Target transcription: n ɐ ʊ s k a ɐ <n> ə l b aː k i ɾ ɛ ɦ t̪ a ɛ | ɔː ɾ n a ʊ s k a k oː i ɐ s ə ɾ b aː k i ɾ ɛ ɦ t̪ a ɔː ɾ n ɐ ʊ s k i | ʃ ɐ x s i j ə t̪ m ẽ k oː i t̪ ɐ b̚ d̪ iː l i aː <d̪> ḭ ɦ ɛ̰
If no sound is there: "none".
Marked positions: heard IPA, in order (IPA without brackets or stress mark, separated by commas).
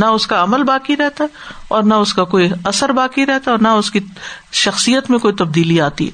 m, t̪